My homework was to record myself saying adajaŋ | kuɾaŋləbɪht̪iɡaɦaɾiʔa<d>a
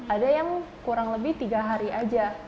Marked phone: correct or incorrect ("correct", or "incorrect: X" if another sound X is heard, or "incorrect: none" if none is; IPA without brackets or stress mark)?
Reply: incorrect: d͡ʒ